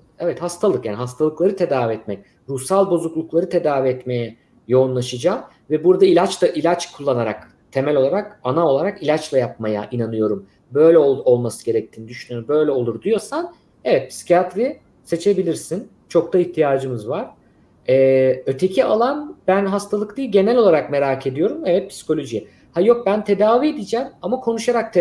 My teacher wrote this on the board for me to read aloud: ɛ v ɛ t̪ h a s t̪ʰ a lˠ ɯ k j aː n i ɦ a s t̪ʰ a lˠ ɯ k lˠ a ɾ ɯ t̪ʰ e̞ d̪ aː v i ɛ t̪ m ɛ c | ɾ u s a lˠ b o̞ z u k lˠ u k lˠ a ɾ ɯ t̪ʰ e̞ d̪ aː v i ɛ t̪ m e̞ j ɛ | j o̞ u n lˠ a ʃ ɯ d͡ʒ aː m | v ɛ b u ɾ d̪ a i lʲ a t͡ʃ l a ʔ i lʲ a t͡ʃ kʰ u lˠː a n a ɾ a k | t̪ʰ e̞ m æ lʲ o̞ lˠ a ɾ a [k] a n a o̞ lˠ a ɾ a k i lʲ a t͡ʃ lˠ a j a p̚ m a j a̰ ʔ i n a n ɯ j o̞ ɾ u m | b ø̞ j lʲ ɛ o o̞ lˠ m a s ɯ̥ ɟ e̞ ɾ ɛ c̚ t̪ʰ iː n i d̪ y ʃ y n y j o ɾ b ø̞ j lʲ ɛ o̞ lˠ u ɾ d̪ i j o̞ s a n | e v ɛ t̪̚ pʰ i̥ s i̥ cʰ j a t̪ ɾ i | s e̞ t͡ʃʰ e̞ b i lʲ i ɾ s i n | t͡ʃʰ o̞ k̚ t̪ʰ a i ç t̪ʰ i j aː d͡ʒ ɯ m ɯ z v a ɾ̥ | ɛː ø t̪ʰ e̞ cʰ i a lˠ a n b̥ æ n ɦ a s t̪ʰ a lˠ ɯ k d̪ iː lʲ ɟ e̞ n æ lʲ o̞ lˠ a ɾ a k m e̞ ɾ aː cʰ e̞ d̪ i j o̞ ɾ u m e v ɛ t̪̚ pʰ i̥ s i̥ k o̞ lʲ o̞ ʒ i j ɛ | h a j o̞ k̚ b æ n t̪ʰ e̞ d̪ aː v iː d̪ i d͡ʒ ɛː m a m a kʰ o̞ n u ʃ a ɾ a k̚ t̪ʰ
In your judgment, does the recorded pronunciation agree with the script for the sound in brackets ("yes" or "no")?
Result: yes